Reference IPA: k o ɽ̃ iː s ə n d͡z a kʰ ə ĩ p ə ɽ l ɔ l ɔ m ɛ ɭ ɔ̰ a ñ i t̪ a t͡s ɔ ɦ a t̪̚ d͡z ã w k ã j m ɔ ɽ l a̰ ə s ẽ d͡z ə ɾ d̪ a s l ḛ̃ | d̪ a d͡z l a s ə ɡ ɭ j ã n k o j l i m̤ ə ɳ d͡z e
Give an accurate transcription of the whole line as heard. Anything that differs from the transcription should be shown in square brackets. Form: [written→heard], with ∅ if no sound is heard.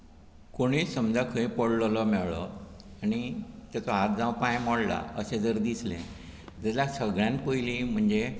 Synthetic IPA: k o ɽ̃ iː s ə [n→m] d͡z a kʰ ə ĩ p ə ɽ l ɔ l ɔ m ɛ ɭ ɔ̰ a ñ i t̪ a t͡s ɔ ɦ a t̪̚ d͡z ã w [k→p] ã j m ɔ ɽ l a̰ ə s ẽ d͡z ə ɾ d̪ [a→i] s l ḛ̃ | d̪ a [d͡z→∅] l a s ə ɡ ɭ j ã n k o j l i m̤ ə ɳ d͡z e